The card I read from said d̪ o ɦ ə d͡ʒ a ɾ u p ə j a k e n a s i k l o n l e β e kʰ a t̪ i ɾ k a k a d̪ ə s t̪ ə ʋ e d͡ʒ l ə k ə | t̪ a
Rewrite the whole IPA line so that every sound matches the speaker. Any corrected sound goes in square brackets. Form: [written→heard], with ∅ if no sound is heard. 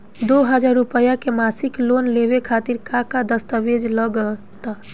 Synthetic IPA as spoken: d̪ o ɦ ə d͡ʒ a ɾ u p ə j a k e [n→m] a s i k l o n l e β e kʰ a t̪ i ɾ k a k a d̪ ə s t̪ ə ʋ e d͡ʒ l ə [k→ɡ] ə | t̪ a